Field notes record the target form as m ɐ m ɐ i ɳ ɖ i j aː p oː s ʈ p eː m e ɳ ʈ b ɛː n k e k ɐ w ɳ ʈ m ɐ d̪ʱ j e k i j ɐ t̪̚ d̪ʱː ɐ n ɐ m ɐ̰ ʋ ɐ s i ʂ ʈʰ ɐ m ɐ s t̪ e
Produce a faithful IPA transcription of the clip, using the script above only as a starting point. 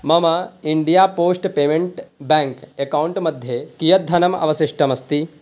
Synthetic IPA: m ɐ m ɐ i ɳ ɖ i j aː p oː s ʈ p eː m e ɳ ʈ b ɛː ŋ k e k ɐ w ɳ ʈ m ɐ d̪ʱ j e k i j ɐ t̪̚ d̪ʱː ɐ n ɐ m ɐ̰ ʋ ɐ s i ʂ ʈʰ ɐ m ɐ s t̪ i